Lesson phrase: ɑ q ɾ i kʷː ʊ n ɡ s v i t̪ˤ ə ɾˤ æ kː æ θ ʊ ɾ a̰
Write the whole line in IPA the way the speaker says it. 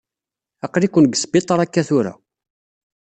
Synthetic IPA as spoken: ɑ q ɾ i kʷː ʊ n ɡ s b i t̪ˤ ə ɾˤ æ kː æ θ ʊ ɾ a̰